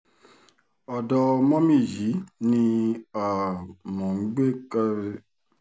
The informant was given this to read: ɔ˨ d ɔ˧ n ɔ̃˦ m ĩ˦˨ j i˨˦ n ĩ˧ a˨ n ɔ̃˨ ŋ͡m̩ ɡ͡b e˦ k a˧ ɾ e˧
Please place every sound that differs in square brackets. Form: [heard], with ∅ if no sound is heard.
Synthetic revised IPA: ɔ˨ d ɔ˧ [m] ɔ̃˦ m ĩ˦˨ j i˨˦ n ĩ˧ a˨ [m] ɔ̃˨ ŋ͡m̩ ɡ͡b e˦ k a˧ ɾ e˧

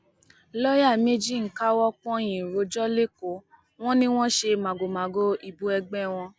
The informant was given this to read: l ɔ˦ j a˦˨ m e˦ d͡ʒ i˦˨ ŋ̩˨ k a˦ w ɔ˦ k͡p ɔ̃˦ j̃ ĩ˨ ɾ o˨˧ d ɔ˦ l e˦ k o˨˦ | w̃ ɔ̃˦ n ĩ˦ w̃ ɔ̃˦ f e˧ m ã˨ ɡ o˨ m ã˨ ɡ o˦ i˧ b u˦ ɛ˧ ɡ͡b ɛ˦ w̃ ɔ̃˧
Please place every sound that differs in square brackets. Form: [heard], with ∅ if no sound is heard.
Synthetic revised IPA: l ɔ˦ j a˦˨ m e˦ d͡ʒ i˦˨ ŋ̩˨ k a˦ w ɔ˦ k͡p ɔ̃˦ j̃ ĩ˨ ɾ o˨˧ [d͡ʒ] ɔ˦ l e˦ k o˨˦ | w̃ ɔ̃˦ n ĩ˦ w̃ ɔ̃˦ [ʃ] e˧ m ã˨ ɡ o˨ m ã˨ ɡ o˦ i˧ b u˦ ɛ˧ ɡ͡b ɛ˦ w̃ ɔ̃˧

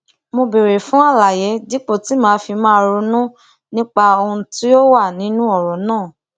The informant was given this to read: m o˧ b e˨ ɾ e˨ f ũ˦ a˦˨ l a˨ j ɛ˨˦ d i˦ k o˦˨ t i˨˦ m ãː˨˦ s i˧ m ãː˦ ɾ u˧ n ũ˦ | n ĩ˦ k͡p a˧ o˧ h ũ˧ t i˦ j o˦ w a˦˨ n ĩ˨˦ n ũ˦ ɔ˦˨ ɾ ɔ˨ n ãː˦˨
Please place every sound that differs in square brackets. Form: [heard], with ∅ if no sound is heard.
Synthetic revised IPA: m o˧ b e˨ ɾ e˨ f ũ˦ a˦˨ l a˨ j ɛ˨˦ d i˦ [k͡p] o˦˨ t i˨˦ m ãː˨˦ [f] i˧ m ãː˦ ɾ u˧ n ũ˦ | n ĩ˦ k͡p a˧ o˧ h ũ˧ t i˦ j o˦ w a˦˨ n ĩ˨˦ n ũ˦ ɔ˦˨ ɾ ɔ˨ n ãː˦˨

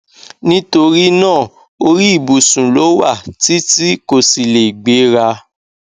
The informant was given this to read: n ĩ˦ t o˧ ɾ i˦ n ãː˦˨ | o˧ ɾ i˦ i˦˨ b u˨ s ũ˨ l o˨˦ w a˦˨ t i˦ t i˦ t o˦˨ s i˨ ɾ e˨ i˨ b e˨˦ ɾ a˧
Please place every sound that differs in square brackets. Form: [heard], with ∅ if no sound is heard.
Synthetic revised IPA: n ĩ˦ t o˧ ɾ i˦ n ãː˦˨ | o˧ ɾ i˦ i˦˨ b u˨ s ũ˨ l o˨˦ w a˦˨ t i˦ t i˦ [k] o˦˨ s i˨ [l] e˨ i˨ [ɡ͡b] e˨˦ ɾ a˧

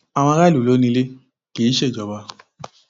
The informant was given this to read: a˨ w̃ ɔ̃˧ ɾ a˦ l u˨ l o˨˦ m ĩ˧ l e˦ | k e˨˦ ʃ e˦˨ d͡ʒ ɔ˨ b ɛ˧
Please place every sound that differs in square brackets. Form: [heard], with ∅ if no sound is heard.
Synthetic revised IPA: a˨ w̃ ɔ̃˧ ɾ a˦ l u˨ l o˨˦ [n] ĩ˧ l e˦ | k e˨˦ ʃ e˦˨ d͡ʒ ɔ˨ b [a˧]

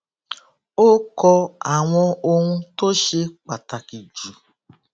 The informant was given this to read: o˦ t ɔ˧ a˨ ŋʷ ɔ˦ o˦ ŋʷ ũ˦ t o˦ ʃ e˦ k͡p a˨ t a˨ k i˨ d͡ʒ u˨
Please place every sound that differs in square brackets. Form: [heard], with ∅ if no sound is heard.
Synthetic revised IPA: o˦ [k] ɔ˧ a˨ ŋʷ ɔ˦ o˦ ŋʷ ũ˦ t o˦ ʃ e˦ k͡p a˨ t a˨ k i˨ d͡ʒ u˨

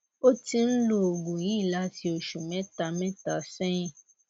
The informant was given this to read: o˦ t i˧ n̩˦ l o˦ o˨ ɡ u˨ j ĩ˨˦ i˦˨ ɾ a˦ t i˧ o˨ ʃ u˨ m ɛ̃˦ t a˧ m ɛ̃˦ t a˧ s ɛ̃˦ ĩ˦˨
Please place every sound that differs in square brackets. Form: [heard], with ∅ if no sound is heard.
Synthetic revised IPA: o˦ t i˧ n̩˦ l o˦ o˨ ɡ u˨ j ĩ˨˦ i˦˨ [l] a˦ t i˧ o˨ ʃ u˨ m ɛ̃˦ t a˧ m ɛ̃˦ t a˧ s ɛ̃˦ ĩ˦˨

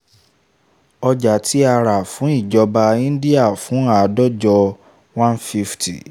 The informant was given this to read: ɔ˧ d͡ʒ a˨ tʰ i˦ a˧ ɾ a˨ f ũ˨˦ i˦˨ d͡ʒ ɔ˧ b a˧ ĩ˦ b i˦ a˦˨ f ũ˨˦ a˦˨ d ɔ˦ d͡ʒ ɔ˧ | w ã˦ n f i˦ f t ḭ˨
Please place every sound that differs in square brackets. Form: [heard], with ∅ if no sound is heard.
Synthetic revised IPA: ɔ˧ d͡ʒ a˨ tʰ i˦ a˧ ɾ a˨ f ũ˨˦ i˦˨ d͡ʒ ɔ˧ b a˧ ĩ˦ [d] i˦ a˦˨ f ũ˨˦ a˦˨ d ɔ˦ d͡ʒ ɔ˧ | w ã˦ n f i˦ f t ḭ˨

